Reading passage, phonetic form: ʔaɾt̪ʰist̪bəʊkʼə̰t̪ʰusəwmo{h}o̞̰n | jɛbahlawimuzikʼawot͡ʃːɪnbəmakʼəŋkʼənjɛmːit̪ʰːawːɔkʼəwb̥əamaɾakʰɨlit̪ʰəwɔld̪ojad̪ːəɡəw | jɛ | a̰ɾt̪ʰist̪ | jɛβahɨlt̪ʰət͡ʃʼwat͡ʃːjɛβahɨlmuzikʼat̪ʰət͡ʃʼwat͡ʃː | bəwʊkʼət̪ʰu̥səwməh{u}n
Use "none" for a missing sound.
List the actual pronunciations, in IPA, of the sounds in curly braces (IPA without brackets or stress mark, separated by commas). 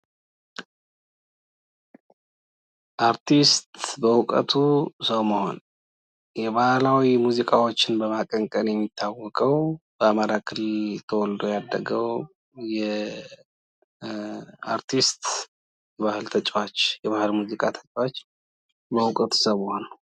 h, o